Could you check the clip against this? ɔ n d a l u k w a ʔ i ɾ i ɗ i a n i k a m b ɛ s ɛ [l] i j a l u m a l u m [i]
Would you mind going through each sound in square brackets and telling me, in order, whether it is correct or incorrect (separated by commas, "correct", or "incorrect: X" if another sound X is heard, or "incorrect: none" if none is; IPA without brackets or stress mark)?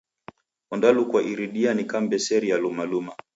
incorrect: ɾ, incorrect: a